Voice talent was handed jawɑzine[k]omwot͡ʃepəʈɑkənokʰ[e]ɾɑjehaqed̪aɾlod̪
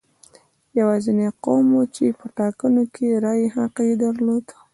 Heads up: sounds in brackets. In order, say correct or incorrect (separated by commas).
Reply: incorrect, correct